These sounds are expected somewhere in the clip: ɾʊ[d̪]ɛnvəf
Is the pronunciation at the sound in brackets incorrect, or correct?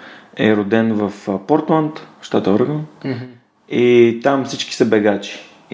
correct